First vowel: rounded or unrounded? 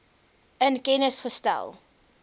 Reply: unrounded